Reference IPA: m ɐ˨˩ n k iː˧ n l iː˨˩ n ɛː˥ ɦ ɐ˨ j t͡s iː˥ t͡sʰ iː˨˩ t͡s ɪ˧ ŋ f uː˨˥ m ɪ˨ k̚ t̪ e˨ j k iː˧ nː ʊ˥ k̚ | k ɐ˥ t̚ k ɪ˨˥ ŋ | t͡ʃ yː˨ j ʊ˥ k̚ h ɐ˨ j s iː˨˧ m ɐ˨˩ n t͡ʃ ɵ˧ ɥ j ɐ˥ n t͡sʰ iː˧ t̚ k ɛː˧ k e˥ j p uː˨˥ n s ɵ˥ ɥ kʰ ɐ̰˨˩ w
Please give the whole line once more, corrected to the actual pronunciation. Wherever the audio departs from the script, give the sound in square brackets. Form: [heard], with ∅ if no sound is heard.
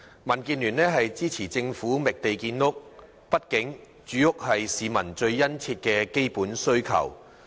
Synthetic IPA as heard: m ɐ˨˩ n k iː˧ n l [yː˨˩] n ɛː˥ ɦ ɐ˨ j t͡s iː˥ t͡sʰ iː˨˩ t͡s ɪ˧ ŋ f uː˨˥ m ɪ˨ k̚ t̪ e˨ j k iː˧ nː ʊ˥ k̚ | [p] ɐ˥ t̚ k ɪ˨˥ ŋ | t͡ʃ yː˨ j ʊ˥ k̚ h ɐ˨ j s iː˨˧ m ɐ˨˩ n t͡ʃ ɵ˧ ɥ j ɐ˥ n t͡sʰ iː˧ t̚ k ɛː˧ k e˥ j p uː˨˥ n s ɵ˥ ɥ kʰ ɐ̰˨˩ w